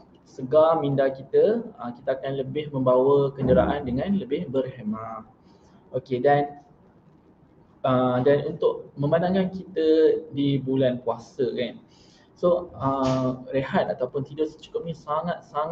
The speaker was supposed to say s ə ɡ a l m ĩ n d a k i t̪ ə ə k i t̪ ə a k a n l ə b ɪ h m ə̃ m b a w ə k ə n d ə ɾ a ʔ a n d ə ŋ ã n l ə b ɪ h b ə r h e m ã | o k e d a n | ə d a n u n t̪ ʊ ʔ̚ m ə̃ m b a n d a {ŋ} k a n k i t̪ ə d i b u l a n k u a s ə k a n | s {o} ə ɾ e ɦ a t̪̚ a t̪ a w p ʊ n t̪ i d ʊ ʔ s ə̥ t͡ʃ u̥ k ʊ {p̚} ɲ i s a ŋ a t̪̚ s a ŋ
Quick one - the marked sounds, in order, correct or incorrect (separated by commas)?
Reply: correct, correct, correct